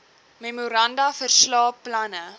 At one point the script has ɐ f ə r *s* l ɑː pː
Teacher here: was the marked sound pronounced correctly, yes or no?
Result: yes